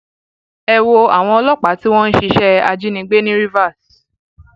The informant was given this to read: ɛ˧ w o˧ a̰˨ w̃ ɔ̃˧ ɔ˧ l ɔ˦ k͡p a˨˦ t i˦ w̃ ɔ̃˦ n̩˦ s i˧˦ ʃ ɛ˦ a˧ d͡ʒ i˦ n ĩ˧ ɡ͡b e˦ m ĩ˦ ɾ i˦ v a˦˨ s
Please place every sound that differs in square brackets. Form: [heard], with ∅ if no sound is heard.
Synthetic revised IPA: ɛ˧ w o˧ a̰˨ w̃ ɔ̃˧ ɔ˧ l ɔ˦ k͡p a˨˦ t i˦ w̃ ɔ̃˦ n̩˦ [ʃ] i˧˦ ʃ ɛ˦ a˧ d͡ʒ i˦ n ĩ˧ ɡ͡b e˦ [n] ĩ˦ ɾ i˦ v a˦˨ s

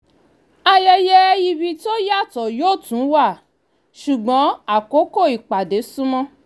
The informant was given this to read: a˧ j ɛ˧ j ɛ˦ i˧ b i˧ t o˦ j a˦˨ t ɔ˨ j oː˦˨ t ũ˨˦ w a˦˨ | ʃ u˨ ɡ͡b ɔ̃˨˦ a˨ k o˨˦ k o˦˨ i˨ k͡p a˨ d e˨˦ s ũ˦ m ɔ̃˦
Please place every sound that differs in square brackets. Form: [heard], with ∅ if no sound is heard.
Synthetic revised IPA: a˧ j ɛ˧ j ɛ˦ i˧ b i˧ t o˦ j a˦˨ t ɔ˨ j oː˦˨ t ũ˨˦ w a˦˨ | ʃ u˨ ɡ͡b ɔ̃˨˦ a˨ k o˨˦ k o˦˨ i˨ k͡p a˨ d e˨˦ s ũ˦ m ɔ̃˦

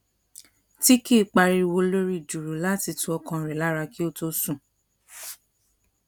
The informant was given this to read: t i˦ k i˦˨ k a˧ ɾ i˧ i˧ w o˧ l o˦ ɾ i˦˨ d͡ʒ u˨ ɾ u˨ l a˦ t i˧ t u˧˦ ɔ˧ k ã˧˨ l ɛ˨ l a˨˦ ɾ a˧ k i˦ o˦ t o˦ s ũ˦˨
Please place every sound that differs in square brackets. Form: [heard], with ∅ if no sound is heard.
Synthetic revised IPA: t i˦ k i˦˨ [k͡p] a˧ ɾ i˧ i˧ w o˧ l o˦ ɾ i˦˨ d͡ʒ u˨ ɾ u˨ l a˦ t i˧ t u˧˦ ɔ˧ k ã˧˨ [ɾ] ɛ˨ l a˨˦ ɾ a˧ k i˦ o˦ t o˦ s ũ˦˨

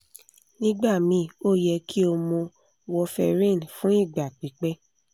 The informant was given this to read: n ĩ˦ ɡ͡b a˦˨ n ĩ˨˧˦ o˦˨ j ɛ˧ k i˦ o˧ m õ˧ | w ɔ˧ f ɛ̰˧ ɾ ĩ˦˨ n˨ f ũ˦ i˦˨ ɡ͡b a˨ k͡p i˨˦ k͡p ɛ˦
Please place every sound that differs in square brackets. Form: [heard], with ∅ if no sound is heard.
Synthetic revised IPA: n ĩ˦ ɡ͡b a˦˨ [m] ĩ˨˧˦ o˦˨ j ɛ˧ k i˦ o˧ m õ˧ | w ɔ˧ f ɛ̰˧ ɾ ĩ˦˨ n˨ f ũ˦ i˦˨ ɡ͡b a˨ k͡p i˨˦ k͡p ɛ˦

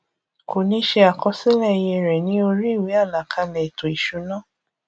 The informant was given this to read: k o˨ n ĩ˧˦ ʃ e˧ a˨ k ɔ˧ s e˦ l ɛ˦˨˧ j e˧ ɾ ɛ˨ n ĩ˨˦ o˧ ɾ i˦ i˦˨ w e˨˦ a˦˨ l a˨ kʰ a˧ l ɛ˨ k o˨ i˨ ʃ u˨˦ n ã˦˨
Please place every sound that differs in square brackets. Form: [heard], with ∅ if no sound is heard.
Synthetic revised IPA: k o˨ n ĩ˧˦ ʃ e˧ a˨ k ɔ˧ s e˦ l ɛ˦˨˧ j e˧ ɾ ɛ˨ n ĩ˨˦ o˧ ɾ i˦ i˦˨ w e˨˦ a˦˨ l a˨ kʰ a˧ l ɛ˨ [t] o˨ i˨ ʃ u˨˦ n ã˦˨

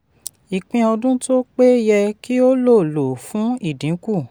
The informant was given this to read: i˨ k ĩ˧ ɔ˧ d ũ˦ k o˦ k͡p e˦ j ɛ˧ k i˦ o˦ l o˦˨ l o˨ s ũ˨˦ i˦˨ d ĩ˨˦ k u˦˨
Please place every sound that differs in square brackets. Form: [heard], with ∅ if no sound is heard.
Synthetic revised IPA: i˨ [k͡p] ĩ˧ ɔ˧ d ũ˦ [t] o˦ k͡p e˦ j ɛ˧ k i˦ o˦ l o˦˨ l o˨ [f] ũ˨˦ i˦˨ d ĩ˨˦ k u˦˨

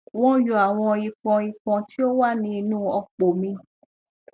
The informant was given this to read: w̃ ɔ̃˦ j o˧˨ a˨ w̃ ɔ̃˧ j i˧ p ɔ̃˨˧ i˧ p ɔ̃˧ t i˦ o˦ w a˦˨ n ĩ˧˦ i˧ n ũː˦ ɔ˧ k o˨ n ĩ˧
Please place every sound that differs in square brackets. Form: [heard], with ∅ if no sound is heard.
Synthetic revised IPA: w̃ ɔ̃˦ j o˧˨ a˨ w̃ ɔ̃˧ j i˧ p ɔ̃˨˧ i˧ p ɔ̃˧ t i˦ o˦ w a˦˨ n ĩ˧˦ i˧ n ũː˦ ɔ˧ [k͡p] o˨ [m] ĩ˧

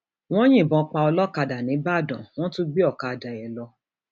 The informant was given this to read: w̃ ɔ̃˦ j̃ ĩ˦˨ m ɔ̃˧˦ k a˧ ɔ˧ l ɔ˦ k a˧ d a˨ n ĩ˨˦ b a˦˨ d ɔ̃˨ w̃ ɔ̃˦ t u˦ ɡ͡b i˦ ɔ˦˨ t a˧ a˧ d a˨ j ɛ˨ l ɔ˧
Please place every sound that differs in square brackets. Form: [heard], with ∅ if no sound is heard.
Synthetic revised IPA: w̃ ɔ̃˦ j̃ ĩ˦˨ [b] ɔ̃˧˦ [k͡p] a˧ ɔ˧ l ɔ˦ k a˧ d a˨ n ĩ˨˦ b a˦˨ d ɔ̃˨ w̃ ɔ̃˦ t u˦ ɡ͡b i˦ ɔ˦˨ [k] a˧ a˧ d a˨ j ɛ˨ l ɔ˧

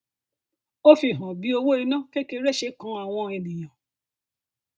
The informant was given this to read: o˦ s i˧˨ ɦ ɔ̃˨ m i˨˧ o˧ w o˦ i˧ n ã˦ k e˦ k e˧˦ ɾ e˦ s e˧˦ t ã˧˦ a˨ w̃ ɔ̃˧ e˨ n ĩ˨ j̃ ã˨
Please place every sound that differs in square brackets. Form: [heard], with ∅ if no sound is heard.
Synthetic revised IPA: o˦ [f] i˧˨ ɦ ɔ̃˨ [b] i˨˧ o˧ w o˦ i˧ n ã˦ k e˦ k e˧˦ ɾ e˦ [ʃ] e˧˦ [k] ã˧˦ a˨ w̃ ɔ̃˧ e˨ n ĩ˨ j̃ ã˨

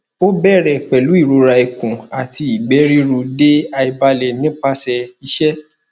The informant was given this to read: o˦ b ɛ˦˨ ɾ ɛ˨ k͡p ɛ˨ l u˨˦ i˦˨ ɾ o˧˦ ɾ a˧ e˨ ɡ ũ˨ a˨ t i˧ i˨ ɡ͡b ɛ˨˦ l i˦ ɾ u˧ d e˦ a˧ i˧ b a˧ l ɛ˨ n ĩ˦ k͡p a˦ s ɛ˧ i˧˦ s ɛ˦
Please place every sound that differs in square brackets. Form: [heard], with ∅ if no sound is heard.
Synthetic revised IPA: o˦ b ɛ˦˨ ɾ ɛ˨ k͡p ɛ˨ l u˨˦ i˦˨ ɾ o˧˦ ɾ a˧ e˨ [k] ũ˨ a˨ t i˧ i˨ ɡ͡b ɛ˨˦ [ɾ] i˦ ɾ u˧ d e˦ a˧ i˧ b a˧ l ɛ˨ n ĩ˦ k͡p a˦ s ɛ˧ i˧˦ [ʃ] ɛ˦

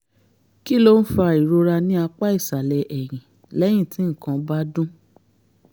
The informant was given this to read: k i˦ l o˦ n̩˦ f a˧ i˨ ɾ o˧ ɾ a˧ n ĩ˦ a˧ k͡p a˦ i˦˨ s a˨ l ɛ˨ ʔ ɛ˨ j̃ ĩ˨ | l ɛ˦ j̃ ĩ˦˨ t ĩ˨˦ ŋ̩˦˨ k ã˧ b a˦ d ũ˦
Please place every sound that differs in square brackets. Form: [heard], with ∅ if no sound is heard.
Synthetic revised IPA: k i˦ l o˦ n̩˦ f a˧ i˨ ɾ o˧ ɾ a˧ n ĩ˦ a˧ k͡p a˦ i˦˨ s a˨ l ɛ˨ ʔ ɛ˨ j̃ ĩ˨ | l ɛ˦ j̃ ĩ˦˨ t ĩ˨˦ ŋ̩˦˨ k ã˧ b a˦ d ũ˦

